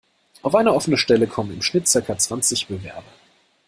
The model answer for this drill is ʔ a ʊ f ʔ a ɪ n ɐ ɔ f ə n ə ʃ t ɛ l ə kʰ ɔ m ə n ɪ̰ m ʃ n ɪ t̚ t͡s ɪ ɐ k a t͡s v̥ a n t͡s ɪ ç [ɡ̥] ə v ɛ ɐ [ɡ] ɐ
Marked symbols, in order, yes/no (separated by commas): no, no